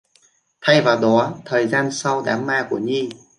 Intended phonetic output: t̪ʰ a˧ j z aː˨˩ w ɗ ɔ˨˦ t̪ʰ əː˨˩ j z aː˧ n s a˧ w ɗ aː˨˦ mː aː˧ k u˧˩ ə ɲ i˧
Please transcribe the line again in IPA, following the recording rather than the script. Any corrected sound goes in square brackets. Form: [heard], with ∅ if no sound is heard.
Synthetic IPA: t̪ʰ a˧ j [v] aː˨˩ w ɗ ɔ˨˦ t̪ʰ əː˨˩ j z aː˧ n s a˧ w ɗ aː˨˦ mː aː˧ k u˧˩ ə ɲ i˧